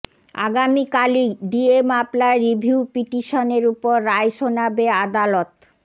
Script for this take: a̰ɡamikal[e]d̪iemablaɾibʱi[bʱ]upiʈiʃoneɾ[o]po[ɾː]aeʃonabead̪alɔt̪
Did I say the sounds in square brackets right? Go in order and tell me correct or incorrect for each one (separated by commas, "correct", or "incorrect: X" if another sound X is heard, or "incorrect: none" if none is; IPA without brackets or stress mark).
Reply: incorrect: i, incorrect: none, incorrect: u, correct